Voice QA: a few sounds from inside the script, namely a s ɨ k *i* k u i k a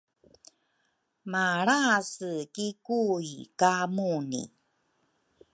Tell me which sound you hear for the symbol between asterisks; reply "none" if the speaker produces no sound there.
i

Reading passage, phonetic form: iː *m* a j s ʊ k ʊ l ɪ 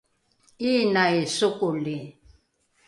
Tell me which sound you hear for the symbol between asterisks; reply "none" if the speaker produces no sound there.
n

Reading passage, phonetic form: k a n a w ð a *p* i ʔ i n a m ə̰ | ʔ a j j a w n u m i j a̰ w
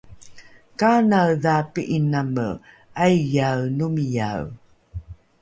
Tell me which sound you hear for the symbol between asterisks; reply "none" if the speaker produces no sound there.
p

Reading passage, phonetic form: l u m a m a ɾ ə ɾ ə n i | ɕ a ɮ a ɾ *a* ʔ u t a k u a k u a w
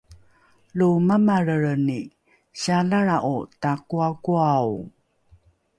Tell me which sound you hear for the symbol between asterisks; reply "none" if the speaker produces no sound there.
a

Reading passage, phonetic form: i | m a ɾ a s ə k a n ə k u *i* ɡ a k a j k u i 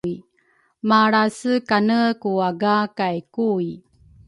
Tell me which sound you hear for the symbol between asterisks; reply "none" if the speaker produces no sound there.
a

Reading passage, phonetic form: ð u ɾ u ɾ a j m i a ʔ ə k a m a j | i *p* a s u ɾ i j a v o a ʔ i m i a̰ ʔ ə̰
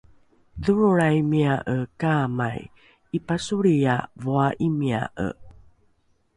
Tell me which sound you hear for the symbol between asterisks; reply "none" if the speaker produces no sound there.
p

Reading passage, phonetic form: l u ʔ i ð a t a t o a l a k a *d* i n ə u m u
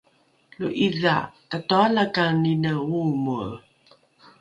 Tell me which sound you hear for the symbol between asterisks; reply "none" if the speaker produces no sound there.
n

